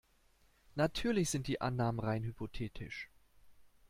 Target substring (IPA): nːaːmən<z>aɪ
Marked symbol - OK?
no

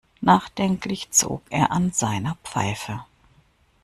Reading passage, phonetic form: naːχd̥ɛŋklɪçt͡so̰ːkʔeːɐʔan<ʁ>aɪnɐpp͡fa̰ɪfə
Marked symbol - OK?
no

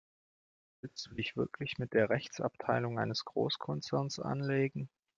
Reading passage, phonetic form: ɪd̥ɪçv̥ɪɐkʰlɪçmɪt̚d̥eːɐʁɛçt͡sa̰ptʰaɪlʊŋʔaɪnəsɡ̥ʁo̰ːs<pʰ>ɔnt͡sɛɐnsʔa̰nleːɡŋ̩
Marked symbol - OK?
no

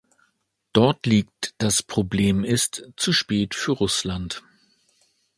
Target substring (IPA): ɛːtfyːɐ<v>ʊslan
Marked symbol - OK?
no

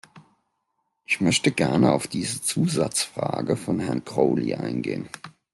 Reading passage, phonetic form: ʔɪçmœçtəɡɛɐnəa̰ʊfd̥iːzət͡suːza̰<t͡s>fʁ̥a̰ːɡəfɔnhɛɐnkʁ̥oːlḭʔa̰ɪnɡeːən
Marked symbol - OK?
yes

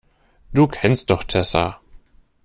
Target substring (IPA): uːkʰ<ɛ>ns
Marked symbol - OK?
yes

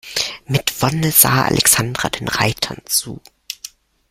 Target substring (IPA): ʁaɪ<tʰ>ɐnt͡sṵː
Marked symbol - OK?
yes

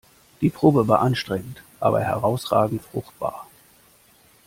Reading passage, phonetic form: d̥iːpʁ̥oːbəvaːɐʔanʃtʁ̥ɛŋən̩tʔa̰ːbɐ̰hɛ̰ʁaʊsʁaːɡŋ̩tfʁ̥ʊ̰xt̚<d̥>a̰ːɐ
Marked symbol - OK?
no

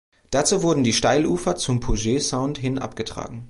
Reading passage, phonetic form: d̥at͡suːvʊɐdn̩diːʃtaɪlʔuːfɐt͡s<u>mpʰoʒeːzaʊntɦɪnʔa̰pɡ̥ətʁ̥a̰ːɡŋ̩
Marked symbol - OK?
no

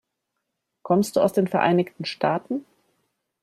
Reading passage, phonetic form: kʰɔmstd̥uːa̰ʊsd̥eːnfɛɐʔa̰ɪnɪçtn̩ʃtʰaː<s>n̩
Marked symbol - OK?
no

